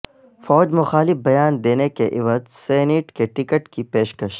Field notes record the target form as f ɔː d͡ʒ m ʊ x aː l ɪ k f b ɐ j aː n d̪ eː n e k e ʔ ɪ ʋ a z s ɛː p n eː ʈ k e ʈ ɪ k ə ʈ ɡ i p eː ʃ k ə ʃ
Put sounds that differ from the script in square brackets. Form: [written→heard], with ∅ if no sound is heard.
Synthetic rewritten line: f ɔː d͡ʒ m ʊ x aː l ɪ [k→∅] f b ɐ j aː n d̪ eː n e k e ʔ ɪ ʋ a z s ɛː [p→∅] n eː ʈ k e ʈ ɪ k ə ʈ [ɡ→k] i p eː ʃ k ə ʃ